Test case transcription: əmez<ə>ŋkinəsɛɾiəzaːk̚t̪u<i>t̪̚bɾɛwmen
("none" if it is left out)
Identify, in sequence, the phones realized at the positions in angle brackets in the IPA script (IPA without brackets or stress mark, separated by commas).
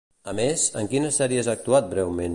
ə, a